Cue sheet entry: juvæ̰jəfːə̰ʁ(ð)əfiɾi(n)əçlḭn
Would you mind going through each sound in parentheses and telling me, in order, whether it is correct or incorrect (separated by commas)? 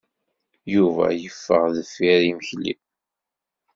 correct, incorrect